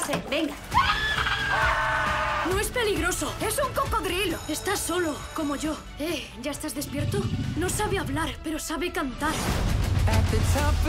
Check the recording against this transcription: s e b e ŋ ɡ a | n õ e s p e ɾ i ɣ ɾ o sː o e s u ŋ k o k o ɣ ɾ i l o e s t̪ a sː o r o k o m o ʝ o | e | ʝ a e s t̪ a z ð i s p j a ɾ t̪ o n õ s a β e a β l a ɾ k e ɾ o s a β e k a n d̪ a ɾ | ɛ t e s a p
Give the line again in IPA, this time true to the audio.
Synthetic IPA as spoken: s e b e ŋ ɡ a | n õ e s p e l i ɣ ɾ o s o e s u ŋ k o k o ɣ ɾ i l o e s t̪ a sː o l o k o m o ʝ o | e | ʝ a e s t̪ a z ð e s p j e ɾ t̪ o n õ s a β e a β l a ɾ p e ɾ o s a β e k a n t̪ a ɾ | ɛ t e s a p